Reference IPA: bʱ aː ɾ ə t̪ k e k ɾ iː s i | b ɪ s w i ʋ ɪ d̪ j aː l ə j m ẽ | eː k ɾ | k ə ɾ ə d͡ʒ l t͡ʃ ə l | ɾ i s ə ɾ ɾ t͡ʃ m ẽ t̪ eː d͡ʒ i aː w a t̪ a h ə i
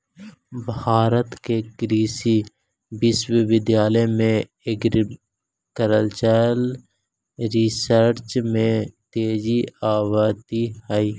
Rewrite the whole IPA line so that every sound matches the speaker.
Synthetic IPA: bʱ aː ɾ ə t̪ k e k ɾ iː s i | b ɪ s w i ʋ ɪ d̪ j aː l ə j m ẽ | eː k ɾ | k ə ɾ ə l t͡ʃ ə l | ɾ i s ə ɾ ɾ t͡ʃ m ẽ t̪ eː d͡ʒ i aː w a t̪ i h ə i